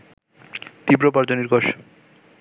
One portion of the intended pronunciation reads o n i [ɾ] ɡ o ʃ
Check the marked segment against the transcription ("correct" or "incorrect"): correct